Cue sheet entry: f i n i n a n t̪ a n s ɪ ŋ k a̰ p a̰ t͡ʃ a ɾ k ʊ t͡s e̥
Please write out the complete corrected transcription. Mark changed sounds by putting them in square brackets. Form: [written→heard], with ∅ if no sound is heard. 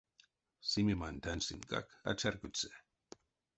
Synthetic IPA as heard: [f→s] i [n→m] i [n→m] a n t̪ a n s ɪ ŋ k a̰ [p→k] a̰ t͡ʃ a ɾ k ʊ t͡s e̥